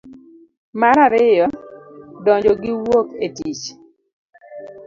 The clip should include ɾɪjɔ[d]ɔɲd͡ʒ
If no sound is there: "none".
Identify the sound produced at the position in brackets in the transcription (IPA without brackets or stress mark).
d